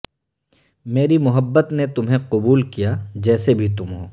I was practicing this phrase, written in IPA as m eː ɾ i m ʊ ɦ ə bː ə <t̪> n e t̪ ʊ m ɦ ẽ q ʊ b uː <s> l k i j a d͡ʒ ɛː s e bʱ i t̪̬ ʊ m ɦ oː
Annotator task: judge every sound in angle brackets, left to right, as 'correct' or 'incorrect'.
correct, incorrect: none

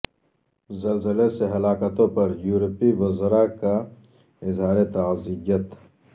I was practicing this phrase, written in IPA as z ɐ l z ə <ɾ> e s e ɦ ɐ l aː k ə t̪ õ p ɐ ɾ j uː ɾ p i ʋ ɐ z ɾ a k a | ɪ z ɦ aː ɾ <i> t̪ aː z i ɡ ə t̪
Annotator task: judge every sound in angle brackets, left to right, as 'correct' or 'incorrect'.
incorrect: l, incorrect: e

